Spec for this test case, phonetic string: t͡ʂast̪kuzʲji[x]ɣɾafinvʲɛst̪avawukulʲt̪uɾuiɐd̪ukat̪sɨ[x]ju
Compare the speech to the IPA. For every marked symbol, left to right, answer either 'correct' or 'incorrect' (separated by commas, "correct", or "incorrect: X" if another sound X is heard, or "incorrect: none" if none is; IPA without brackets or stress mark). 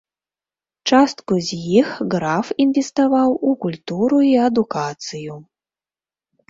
correct, incorrect: none